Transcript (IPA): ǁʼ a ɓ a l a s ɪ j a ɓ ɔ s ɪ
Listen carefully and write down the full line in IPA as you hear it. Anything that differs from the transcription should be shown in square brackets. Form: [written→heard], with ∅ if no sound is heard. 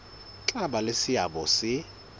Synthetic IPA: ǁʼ a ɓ a l [a→e] s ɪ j a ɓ ɔ s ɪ